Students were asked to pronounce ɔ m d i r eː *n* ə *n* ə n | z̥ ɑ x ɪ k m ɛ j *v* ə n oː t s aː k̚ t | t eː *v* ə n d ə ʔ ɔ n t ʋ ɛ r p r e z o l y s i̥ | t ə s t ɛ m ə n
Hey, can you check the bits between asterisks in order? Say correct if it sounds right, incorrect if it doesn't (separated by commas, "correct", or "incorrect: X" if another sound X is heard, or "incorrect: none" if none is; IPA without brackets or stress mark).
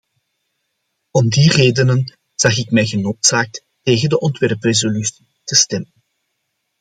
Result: incorrect: d, correct, incorrect: ɣ, incorrect: ɣ